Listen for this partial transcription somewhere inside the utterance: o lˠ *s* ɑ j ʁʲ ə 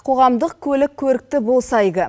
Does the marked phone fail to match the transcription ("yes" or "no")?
no